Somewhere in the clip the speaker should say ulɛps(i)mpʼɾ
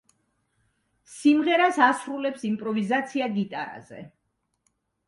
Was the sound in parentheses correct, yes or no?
yes